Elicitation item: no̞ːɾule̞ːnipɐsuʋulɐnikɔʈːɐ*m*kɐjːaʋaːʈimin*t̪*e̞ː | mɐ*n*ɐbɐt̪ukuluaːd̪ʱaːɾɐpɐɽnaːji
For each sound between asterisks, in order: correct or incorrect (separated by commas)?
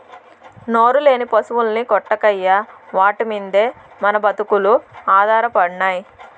incorrect, incorrect, correct